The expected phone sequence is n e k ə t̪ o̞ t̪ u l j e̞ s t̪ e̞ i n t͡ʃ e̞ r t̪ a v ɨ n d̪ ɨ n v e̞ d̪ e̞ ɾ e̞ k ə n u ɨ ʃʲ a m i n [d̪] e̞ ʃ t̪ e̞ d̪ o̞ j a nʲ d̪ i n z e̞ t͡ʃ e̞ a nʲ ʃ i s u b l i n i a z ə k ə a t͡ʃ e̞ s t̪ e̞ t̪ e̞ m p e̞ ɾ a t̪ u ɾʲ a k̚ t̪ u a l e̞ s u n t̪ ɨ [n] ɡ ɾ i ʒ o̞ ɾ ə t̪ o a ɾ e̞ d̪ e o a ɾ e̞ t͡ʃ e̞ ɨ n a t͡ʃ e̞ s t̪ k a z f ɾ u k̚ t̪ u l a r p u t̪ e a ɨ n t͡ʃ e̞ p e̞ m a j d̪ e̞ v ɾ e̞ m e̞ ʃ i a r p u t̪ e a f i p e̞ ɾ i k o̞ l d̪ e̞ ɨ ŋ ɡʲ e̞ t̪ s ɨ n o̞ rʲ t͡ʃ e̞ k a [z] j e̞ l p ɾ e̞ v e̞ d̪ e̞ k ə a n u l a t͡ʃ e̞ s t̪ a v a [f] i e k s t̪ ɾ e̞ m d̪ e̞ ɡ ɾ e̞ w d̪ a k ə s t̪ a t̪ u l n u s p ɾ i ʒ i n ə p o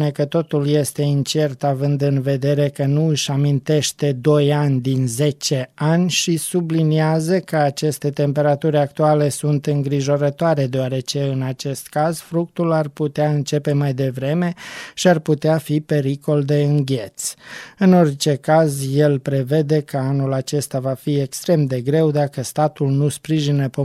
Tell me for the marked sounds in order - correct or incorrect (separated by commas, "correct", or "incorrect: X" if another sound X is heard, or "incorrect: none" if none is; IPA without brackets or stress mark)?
incorrect: t̪, incorrect: ŋ, correct, correct